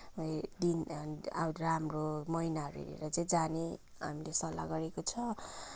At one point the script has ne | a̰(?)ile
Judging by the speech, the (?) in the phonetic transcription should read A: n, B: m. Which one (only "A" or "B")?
B